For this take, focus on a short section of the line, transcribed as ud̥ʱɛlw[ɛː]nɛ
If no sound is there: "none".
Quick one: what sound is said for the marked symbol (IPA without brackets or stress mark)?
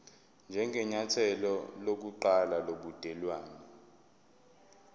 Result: aː